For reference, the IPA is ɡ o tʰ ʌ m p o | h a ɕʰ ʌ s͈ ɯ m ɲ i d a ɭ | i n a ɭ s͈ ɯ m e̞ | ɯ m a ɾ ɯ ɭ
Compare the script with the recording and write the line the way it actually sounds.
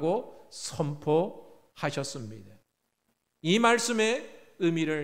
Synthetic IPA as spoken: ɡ o sʰ ʌ m pʰ o | h a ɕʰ ʌ s͈ ɯ m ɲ i d a | i m a ɭ s͈ ɯ m e̞ | ɯ m i ɾ ɯ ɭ